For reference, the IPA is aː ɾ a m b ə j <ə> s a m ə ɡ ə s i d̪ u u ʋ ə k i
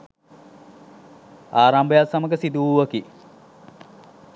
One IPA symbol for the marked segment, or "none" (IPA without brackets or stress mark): a